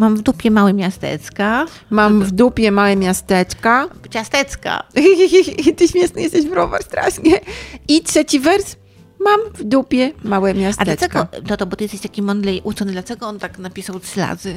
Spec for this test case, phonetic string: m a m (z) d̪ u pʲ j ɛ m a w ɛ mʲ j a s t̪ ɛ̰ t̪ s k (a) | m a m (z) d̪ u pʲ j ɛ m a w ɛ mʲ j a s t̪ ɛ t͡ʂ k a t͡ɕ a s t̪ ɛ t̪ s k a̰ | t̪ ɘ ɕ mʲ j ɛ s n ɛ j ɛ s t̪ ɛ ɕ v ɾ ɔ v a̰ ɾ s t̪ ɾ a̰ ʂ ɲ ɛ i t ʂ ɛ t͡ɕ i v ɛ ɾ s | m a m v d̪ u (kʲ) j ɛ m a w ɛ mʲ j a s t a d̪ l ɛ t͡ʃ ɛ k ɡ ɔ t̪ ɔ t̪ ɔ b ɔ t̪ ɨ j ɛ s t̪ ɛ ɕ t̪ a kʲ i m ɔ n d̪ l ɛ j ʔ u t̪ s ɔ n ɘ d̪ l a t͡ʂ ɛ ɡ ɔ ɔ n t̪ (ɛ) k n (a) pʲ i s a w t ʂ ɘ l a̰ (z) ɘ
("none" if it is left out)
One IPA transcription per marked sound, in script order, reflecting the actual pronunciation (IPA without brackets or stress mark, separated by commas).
v, a, v, pʲ, a, a, z